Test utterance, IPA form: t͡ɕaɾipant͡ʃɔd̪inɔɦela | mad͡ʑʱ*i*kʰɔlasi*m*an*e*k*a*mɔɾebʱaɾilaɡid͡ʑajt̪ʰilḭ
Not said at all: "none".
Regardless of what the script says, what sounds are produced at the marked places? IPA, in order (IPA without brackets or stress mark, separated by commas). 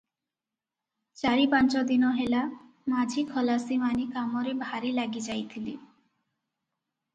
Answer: i, m, i, a